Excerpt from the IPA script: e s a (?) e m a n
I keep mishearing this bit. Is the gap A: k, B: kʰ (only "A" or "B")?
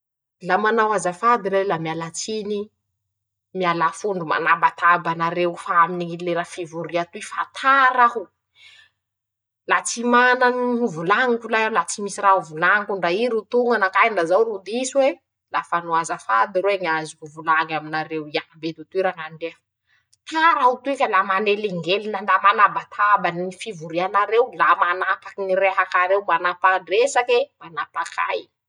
A